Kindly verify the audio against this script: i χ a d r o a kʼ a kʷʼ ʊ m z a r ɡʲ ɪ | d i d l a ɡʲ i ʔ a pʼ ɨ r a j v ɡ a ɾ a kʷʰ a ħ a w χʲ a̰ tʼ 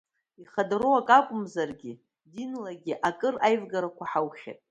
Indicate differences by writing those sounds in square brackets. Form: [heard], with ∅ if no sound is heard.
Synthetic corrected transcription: i χ a d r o a kʼ a kʷʼ ʊ m z a r ɡʲ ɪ | d i [n] l a ɡʲ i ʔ a [kʼ] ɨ r a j v ɡ a ɾ a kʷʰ a ħ a w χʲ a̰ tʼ